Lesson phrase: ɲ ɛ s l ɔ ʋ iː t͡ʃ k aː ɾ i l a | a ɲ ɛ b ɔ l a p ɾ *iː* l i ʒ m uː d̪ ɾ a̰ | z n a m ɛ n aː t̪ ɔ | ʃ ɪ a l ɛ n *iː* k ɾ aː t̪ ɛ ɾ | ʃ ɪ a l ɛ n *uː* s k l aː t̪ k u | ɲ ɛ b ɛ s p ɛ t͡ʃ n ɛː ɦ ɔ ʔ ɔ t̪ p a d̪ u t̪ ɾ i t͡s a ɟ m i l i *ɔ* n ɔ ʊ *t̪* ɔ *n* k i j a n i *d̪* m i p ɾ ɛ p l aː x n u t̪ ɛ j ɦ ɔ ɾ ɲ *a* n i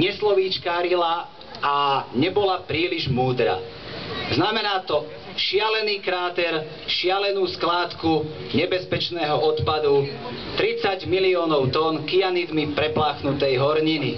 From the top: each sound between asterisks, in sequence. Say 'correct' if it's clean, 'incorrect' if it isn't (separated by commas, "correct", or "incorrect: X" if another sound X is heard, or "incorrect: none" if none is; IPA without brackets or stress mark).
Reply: correct, correct, correct, incorrect: ɔː, correct, correct, correct, incorrect: i